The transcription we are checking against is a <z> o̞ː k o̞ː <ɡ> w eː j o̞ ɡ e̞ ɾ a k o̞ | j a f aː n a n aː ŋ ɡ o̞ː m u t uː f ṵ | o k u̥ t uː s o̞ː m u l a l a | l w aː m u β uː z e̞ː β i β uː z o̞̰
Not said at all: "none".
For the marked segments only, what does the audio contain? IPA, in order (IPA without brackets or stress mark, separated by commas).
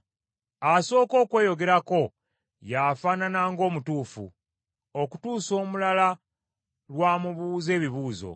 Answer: s, k